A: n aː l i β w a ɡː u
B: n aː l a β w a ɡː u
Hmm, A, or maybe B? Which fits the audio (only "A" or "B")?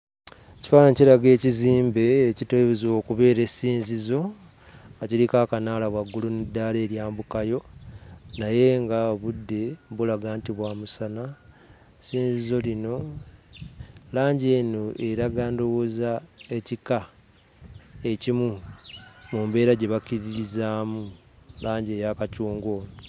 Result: B